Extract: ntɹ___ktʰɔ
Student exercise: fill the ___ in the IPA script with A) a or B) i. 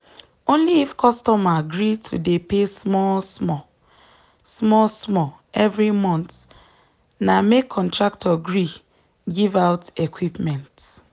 A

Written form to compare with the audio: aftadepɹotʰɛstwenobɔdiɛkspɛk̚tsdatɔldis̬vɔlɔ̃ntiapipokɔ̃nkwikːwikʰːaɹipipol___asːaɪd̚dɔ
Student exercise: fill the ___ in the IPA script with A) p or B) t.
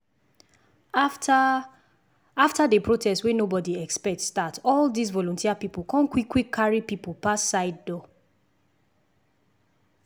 A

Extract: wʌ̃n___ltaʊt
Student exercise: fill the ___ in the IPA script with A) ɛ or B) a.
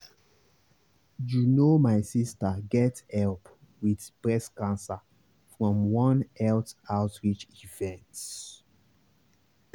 A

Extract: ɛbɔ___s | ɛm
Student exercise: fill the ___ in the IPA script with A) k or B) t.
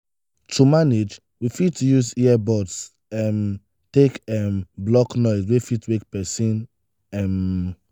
B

